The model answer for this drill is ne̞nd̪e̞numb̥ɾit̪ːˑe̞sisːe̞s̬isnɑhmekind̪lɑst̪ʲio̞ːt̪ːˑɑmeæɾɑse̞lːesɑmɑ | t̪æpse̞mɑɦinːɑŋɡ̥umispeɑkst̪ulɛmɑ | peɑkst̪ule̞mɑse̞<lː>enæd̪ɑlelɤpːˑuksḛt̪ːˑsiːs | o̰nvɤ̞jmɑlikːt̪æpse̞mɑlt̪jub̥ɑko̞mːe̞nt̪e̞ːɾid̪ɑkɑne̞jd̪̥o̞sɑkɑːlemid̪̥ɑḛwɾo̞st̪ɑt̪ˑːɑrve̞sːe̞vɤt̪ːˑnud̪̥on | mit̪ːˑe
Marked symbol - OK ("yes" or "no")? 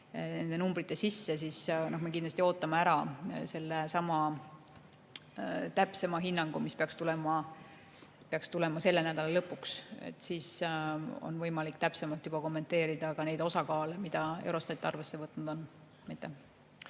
yes